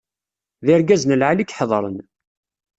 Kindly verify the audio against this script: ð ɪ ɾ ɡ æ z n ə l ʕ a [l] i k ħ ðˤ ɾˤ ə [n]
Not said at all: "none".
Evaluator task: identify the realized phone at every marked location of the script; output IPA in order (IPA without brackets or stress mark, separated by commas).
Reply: l, n